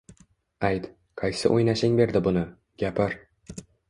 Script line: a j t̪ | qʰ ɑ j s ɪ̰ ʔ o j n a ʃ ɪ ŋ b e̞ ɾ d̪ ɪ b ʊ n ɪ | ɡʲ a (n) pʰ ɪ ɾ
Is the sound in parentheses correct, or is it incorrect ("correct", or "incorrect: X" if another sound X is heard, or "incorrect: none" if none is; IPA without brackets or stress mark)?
incorrect: none